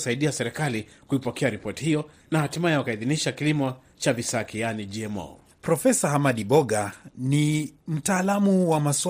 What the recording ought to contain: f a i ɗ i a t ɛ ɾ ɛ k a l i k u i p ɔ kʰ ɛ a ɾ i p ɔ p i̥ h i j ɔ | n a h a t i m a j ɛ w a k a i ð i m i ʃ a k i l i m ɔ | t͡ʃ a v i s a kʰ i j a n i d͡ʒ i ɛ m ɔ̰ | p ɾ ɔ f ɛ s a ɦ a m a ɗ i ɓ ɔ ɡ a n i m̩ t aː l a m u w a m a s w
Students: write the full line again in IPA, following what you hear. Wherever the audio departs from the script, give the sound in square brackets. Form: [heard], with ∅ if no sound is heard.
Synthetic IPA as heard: [s] a i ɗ i a [s] ɛ ɾ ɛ k a l i k u i p ɔ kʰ ɛ a ɾ i p ɔ [t] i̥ h i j ɔ | n a h a t i m a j ɛ w a k a i ð i [n] i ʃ a k i l i m ɔ | t͡ʃ a v i s a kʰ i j a n i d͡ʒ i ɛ m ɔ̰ | p ɾ ɔ f ɛ s a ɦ a m a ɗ i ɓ ɔ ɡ a n i m̩ t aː l a m u w a m a s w